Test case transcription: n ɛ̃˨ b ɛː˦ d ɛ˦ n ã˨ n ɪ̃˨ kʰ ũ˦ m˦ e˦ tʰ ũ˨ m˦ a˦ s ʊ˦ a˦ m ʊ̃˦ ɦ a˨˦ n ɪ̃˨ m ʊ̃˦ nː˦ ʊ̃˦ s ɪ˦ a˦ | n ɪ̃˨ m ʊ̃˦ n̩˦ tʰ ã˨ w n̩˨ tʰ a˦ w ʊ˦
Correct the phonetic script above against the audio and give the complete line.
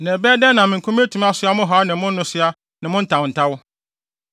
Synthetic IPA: n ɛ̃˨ b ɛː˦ d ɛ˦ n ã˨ m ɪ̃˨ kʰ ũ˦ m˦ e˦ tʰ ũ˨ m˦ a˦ s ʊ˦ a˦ m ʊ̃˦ ɦ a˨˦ n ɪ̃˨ m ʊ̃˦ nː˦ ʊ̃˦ s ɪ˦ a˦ | n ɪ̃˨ m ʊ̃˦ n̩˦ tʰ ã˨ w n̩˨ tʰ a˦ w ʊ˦